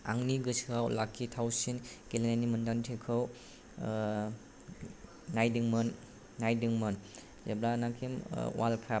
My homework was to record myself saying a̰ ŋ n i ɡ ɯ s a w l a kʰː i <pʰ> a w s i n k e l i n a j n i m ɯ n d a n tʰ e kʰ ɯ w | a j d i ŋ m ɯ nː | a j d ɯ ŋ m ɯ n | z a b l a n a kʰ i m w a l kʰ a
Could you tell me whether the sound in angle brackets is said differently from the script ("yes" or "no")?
yes